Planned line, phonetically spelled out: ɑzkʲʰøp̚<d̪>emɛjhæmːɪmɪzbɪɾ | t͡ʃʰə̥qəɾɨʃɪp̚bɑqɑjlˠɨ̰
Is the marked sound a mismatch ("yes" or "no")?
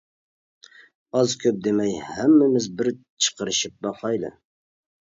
no